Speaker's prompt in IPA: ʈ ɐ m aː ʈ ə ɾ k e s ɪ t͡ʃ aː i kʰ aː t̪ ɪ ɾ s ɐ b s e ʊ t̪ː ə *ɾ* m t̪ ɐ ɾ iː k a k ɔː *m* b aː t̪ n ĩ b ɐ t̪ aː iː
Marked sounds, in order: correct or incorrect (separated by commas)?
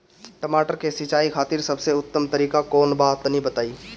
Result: incorrect, incorrect